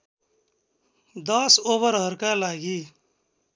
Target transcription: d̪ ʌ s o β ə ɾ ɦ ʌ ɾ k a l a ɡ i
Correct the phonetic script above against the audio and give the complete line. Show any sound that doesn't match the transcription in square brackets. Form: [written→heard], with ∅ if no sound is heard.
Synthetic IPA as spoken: d̪ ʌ s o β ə ɾ ɦ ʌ ɾ k a l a ɡ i